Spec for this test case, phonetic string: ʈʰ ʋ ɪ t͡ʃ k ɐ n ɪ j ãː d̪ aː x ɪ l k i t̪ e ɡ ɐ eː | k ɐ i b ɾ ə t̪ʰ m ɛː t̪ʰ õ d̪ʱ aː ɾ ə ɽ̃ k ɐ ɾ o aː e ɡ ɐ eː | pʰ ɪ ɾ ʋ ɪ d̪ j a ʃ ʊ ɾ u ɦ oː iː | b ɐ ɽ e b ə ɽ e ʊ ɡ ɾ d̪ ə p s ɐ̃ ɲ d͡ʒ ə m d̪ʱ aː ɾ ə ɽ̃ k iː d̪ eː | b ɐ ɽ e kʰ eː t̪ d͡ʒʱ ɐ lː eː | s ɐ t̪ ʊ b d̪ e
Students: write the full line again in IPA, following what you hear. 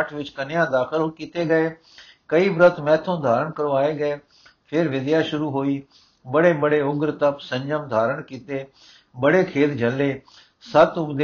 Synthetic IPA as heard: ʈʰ ʋ ɪ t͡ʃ k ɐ n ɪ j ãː d̪ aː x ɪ l k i t̪ e ɡ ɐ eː | k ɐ i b ɾ ə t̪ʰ m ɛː t̪ʰ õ d̪ʱ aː ɾ ə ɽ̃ k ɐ ɾ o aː e ɡ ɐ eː | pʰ ɪ ɾ ʋ ɪ d̪ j a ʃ ʊ ɾ u ɦ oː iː | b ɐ ɽ e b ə ɽ e ʊ ɡ ɾ t̪ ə p s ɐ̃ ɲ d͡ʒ ə m d̪ʱ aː ɾ ə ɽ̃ k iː t̪ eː | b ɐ ɽ e kʰ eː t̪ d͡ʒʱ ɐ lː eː | s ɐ t̪ ʊ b d̪ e